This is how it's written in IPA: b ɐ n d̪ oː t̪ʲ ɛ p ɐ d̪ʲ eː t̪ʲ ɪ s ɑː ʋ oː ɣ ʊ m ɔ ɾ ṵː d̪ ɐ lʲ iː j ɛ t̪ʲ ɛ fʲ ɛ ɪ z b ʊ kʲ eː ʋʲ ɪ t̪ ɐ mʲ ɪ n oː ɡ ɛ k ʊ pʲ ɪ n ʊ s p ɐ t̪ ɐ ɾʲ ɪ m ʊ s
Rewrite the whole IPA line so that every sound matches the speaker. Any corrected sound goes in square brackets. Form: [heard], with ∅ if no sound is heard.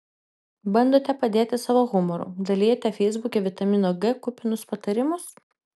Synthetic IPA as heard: b ɐ n d̪ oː t̪ʲ ɛ p ɐ d̪ʲ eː t̪ʲ ɪ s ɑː ʋ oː ɣ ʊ m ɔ ɾ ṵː d̪ ɐ lʲ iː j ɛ t̪ʲ ɛ fʲ ɛ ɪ z b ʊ kʲ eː ʋʲ ɪ t̪ ɐ mʲ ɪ n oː ɡ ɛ k ʊ pʲ ɪ n ʊ s p ɐ t̪ ɐ ɾʲ ɪ m ʊ s